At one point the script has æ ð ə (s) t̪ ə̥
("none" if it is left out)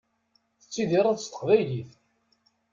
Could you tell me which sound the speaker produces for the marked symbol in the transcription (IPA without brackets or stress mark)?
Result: s